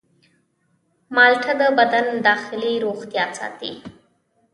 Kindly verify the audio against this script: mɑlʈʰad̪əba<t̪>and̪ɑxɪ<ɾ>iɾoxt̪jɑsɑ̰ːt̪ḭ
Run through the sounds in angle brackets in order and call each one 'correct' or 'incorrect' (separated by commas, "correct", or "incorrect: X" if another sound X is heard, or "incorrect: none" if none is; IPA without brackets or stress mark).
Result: incorrect: d̪, incorrect: l